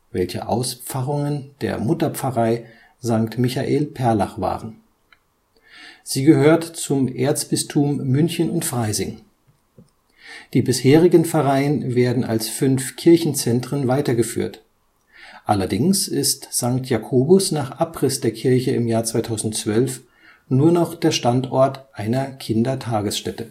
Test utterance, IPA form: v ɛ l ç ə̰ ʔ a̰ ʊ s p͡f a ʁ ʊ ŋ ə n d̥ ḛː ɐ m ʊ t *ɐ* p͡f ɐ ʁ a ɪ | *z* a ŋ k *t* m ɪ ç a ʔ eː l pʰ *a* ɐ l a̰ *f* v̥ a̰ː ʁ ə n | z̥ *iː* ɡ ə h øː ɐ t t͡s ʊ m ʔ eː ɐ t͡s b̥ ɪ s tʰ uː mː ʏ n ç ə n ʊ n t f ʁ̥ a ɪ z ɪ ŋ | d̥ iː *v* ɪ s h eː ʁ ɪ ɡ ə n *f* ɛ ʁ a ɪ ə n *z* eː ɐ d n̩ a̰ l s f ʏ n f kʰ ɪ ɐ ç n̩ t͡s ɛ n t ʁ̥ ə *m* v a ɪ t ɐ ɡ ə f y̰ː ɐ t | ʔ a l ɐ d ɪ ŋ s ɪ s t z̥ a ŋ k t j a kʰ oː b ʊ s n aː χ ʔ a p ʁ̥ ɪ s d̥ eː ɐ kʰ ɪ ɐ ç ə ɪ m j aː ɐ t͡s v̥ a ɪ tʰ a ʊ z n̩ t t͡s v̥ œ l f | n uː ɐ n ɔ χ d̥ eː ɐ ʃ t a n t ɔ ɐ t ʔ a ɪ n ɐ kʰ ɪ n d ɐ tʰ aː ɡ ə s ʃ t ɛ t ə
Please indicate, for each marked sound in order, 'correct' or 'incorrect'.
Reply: correct, correct, correct, incorrect: ɛ, incorrect: χ, correct, incorrect: b, correct, incorrect: v, incorrect: n

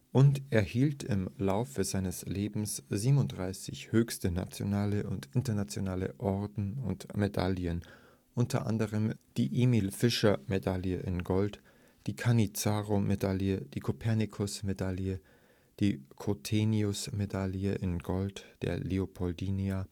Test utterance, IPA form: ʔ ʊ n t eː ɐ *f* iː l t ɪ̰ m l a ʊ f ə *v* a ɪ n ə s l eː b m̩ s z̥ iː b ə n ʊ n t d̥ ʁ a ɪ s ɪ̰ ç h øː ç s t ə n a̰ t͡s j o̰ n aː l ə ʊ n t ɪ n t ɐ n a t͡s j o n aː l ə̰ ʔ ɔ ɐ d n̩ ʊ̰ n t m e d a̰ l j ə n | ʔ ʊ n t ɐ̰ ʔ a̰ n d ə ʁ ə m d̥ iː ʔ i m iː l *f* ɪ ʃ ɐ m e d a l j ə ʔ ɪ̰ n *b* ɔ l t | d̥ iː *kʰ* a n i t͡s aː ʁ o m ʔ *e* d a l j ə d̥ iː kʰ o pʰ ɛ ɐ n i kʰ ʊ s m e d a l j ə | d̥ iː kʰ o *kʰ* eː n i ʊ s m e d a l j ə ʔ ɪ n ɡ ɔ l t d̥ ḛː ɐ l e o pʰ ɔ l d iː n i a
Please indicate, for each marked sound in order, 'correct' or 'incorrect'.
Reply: incorrect: h, incorrect: z, correct, incorrect: ɡ, correct, correct, incorrect: tʰ

